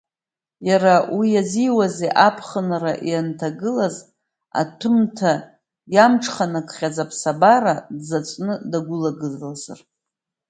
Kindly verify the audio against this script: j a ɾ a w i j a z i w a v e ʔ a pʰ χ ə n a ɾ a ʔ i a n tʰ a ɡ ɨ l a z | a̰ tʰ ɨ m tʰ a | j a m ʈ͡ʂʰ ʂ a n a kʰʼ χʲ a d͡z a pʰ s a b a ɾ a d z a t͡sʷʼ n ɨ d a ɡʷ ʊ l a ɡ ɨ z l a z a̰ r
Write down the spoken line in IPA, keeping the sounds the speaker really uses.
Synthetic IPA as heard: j a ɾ a w i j a z i w a z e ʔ a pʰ χ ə n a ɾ a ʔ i a n tʰ a ɡ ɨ l a z | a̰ tʰ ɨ m tʰ a | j a m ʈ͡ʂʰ χ a n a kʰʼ χʲ a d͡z a pʰ s a b a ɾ a d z a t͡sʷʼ n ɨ d a ɡʷ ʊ l a ɡ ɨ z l a z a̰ r